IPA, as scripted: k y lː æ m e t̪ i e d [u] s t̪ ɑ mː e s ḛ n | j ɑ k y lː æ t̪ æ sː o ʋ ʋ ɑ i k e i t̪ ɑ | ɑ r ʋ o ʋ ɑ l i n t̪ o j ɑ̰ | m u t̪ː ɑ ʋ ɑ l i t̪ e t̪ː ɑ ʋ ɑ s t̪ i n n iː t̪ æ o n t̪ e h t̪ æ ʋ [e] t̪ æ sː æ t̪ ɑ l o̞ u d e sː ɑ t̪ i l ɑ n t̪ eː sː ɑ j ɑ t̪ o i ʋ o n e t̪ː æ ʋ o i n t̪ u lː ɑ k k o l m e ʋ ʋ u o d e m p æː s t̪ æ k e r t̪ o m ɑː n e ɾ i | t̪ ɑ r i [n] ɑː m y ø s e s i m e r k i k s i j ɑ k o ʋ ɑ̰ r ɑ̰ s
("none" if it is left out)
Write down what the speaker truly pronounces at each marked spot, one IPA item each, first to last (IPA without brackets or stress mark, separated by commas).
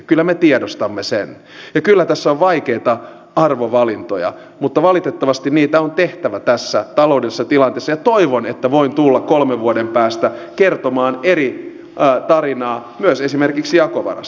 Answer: o, æ, n